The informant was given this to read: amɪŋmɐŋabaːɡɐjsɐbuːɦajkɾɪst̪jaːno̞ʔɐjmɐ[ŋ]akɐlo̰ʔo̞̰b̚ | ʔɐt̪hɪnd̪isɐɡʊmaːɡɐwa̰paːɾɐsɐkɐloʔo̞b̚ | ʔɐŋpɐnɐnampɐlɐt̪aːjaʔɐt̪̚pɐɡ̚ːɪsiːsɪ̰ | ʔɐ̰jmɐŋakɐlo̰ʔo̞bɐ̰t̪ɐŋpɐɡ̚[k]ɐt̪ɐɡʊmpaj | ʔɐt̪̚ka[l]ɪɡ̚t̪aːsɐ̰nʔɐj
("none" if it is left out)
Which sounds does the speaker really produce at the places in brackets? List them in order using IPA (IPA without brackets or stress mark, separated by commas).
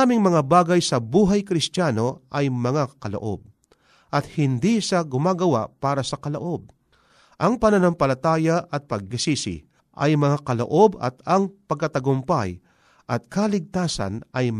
ŋ, k, l